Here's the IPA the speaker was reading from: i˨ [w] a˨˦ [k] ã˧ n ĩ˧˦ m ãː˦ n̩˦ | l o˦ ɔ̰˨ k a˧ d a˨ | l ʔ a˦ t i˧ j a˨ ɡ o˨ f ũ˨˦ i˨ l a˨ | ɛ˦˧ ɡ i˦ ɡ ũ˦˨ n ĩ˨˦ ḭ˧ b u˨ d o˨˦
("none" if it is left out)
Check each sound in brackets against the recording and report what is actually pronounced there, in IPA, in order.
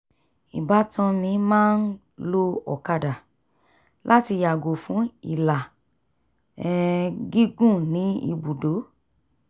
b, t

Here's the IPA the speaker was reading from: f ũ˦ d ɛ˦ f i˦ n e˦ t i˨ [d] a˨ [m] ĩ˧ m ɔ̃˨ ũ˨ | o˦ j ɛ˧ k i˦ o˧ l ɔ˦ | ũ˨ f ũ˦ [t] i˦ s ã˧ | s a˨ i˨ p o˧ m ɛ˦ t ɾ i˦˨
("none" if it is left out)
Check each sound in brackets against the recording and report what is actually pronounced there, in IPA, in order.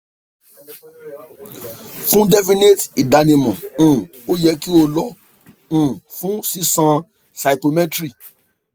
d, n, s

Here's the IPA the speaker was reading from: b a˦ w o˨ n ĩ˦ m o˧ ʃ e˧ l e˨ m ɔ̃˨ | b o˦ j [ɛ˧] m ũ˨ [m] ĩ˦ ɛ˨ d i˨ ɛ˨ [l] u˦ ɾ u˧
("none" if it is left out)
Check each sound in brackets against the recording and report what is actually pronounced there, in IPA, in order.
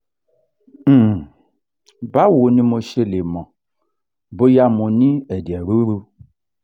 a˧, n, ɾ

